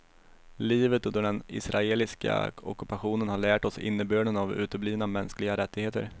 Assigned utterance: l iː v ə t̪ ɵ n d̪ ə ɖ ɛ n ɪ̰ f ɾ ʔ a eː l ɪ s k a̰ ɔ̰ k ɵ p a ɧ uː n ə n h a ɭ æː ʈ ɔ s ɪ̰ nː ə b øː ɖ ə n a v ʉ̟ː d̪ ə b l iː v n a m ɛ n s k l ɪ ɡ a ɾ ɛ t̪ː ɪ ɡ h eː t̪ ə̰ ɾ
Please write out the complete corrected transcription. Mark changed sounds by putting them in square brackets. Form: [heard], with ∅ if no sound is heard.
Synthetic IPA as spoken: l iː v ə t̪ ɵ n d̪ ə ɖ ɛ n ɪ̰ [s] ɾ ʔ a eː l ɪ s k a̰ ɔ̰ k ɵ p a ɧ uː n ə n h a ɭ æː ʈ ɔ s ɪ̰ nː ə b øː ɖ ə n a v ʉ̟ː [t̪] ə b l iː v n a m ɛ n s k l ɪ ɡ a ɾ ɛ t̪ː ɪ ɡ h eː t̪ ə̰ ɾ